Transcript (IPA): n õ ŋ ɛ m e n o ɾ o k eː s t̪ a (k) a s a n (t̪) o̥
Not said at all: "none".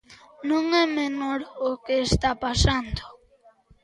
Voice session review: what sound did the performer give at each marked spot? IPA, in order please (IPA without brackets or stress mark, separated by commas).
p, d̪